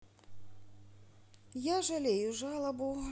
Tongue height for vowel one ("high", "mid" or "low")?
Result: low